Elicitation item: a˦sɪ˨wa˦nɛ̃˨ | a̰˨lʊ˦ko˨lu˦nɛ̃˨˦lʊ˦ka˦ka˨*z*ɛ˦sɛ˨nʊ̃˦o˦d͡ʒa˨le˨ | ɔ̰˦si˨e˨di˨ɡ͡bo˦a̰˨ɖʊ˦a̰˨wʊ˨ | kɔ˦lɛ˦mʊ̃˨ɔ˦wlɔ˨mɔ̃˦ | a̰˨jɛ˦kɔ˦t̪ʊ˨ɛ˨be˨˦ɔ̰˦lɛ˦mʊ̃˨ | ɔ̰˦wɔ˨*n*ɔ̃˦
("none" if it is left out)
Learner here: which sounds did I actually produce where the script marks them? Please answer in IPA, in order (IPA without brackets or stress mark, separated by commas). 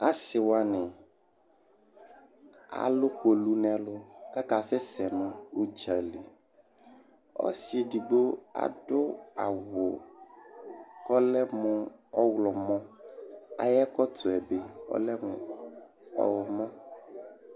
s, m